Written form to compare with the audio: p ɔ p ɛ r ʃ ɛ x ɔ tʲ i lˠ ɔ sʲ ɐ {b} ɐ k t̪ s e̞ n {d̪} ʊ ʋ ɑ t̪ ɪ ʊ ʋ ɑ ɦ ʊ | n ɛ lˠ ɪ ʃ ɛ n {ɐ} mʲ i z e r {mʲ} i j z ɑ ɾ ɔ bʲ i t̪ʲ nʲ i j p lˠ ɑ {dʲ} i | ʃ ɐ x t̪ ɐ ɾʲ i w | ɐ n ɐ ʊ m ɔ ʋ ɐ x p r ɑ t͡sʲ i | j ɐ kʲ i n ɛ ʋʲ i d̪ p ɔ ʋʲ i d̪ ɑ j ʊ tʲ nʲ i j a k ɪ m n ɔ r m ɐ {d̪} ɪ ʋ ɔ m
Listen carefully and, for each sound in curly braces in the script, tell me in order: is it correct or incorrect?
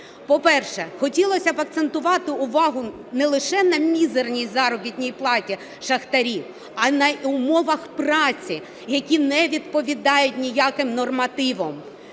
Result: correct, incorrect: t̪, correct, incorrect: nʲ, incorrect: tʲ, incorrect: t̪

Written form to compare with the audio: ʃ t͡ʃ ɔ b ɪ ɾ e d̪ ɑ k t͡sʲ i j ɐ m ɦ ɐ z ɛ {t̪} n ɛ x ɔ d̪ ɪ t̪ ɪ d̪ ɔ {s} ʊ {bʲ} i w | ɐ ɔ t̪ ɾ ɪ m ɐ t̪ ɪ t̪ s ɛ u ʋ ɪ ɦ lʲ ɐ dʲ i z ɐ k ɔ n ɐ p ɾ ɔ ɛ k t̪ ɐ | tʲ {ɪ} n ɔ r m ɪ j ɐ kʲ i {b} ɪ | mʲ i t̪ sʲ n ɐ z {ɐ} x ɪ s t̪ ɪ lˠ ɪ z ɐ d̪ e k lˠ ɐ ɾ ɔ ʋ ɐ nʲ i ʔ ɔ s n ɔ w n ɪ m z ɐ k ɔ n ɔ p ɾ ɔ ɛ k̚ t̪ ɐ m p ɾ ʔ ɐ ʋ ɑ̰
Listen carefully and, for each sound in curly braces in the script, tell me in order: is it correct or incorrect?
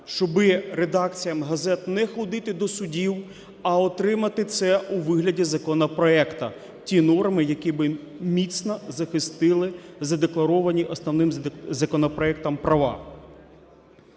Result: correct, correct, incorrect: dʲ, incorrect: i, correct, correct

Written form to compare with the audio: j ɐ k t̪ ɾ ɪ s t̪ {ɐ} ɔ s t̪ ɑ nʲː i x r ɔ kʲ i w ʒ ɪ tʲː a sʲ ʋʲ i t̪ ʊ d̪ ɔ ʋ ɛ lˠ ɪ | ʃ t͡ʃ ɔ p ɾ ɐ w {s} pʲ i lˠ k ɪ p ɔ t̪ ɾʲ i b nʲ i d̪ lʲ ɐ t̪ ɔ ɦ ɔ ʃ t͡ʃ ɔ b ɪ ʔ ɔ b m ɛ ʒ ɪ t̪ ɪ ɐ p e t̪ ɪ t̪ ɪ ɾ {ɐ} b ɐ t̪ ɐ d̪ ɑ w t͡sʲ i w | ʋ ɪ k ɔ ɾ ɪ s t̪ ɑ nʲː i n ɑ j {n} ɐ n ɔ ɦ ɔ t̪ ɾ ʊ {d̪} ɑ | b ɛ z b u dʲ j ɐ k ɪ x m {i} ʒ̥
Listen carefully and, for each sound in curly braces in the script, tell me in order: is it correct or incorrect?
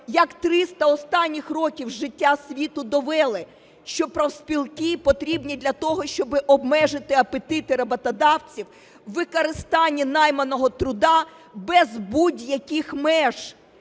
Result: correct, correct, correct, incorrect: m, correct, incorrect: ɛ

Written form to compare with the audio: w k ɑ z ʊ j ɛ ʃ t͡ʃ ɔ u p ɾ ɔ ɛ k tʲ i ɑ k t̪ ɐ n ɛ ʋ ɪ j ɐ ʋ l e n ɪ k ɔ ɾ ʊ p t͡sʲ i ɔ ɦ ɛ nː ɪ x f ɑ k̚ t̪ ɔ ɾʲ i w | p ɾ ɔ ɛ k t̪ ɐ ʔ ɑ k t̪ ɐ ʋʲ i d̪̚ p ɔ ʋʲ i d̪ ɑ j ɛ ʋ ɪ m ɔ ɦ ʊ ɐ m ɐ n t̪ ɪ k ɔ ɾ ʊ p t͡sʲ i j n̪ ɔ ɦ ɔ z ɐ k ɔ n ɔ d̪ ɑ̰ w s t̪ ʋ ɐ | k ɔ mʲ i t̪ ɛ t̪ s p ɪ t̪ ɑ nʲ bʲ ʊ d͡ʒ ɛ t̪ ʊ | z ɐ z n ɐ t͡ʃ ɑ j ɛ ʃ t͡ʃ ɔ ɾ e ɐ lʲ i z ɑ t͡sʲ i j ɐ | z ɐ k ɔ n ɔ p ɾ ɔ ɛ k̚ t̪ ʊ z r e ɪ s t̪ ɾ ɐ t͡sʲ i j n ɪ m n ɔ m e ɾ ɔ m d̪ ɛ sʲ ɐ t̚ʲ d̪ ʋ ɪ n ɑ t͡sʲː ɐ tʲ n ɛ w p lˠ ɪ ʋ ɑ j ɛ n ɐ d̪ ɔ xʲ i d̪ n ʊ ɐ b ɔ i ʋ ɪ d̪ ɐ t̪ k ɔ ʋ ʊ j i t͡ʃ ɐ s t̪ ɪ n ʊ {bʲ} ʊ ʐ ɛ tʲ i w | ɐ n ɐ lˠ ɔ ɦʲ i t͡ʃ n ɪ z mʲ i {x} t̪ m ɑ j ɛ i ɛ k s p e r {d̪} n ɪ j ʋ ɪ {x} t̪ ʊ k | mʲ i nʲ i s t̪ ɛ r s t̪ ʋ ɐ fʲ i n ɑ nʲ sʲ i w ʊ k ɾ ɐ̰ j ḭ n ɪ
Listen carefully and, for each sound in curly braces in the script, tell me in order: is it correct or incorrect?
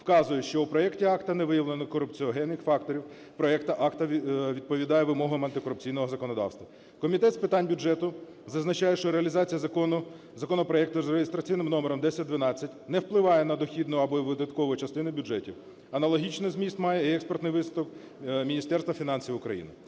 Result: correct, incorrect: s, incorrect: t̪, incorrect: s

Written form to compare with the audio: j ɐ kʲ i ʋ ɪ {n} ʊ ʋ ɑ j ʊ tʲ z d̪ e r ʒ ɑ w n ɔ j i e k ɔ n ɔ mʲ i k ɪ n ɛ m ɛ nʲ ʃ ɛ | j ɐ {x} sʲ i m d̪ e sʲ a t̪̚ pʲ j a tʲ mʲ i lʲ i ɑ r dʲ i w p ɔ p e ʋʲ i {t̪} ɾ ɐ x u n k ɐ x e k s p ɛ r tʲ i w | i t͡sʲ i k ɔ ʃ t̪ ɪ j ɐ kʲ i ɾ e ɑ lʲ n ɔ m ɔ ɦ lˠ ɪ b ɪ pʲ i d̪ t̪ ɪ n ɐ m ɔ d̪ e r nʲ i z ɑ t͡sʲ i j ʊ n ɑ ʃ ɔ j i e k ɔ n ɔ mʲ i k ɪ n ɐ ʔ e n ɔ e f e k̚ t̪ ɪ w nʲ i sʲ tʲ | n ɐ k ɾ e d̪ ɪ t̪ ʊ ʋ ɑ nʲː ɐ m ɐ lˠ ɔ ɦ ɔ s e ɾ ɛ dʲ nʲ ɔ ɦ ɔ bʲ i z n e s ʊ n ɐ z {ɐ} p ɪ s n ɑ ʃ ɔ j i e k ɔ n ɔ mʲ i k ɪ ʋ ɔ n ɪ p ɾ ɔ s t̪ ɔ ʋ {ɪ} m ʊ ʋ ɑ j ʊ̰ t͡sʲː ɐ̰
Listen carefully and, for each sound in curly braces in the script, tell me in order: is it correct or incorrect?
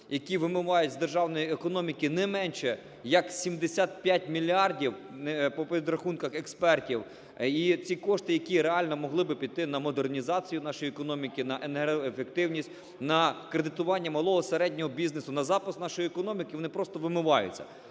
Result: incorrect: m, incorrect: k, incorrect: d̪, incorrect: ɑ, correct

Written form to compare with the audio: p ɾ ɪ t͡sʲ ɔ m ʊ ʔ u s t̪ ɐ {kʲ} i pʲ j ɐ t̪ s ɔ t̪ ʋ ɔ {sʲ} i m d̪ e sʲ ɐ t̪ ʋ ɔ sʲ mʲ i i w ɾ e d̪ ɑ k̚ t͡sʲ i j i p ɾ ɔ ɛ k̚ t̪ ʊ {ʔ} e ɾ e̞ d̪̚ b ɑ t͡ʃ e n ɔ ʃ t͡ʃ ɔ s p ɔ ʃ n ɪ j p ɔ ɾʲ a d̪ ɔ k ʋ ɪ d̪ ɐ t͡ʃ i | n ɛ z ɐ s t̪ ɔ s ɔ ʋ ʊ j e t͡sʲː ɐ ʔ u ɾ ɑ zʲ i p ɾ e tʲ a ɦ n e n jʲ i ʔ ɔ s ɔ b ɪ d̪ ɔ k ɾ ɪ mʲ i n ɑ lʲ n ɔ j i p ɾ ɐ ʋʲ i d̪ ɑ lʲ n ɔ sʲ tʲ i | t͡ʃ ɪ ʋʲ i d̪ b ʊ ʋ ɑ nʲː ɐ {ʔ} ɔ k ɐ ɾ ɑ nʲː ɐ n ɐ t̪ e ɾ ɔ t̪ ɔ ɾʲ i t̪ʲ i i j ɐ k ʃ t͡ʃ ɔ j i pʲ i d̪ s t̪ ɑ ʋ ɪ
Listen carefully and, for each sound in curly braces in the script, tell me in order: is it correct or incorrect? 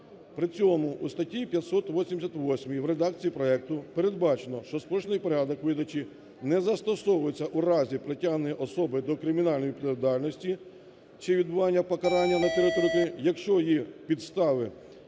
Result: incorrect: tʲ, correct, incorrect: p, incorrect: p

